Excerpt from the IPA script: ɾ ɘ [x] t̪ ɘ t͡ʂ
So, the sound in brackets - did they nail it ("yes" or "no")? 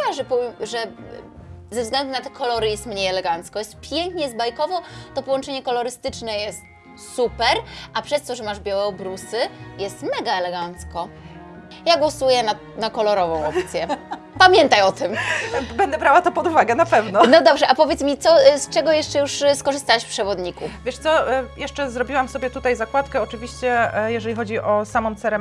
no